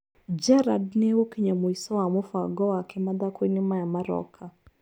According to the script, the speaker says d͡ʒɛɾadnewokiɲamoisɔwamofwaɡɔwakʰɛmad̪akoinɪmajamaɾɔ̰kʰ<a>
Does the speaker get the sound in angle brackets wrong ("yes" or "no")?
no